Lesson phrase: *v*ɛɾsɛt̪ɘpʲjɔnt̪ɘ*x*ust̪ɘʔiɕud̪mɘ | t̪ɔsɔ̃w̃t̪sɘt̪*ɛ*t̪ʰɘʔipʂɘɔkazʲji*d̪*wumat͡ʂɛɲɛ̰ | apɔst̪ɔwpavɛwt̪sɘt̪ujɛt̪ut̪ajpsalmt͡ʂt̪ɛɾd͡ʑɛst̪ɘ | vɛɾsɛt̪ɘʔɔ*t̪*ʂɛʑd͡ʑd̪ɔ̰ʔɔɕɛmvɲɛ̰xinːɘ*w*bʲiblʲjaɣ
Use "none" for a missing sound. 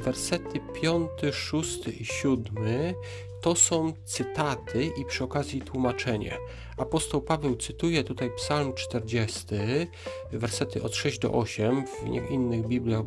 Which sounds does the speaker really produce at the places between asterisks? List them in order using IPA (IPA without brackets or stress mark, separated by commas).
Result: v, ʂ, a, t̪, t̪, ɣ